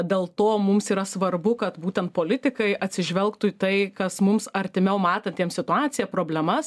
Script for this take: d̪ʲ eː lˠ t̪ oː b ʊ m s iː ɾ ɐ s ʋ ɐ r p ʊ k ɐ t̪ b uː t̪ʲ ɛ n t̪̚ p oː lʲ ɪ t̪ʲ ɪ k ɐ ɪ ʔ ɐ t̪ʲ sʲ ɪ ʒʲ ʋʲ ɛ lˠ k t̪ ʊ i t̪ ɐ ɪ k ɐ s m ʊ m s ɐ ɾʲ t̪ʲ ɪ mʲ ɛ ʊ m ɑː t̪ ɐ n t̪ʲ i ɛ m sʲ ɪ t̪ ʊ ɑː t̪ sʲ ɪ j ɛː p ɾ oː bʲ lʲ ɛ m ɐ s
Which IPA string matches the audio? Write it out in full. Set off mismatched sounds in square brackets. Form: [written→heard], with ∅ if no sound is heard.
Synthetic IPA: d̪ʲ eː lˠ t̪ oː [b→m] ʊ m s iː ɾ ɐ s ʋ ɐ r [p→b] ʊ k ɐ t̪ b uː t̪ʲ ɛ n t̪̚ p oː lʲ ɪ t̪ʲ ɪ k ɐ ɪ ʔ ɐ t̪ʲ sʲ ɪ ʒʲ ʋʲ ɛ lˠ k t̪ ʊ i t̪ ɐ ɪ k ɐ s m ʊ m s ɐ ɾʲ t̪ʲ ɪ mʲ ɛ ʊ m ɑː t̪ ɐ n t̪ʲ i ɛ m sʲ ɪ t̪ ʊ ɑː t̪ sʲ ɪ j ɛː p ɾ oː bʲ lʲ ɛ m ɐ s

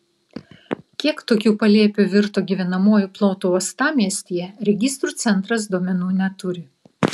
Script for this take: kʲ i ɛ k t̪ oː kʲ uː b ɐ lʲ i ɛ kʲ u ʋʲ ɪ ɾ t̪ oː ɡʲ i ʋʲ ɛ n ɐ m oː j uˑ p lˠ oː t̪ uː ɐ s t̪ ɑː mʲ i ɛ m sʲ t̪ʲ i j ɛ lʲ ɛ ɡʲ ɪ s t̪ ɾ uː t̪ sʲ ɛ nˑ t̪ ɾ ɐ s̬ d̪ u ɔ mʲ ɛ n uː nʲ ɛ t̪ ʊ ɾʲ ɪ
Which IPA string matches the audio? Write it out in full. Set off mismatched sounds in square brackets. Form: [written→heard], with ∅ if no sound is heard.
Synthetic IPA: kʲ i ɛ k t̪ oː kʲ uː [b→p] ɐ lʲ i ɛ [kʲ→pʲ] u ʋʲ ɪ ɾ t̪ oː ɡʲ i ʋʲ ɛ n ɐ m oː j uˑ p lˠ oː t̪ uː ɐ s t̪ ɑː mʲ i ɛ [m→∅] sʲ t̪ʲ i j ɛ [lʲ→ɾʲ] ɛ ɡʲ ɪ s t̪ ɾ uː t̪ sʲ ɛ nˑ t̪ ɾ ɐ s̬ d̪ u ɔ mʲ ɛ n uː nʲ ɛ t̪ ʊ ɾʲ ɪ

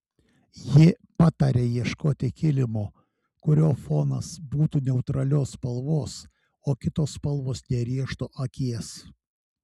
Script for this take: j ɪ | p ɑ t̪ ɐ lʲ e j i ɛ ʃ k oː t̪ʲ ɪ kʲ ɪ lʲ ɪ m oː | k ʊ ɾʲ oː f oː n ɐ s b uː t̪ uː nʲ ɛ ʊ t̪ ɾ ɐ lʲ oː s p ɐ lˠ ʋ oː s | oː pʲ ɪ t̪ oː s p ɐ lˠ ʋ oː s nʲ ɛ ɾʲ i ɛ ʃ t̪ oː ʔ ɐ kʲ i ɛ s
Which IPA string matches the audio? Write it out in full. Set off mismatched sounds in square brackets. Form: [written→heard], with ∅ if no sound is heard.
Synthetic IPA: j ɪ | p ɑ t̪ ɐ [lʲ→ɾʲ] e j i ɛ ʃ k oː t̪ʲ ɪ kʲ ɪ lʲ ɪ m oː | k ʊ ɾʲ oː f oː n ɐ s b uː t̪ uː nʲ ɛ ʊ t̪ ɾ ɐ lʲ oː s p ɐ lˠ ʋ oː s | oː [pʲ→kʲ] ɪ t̪ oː s p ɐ lˠ ʋ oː s nʲ ɛ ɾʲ i ɛ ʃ t̪ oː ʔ ɐ kʲ i ɛ s

